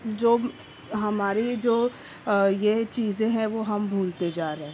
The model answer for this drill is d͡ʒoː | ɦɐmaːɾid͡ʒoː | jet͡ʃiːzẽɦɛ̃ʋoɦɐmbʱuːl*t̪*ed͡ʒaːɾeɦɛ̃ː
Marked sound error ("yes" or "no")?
no